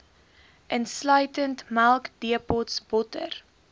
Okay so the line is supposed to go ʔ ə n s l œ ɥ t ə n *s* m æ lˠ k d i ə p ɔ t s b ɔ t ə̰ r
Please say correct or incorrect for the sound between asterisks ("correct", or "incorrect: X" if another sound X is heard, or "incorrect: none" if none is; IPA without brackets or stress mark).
incorrect: t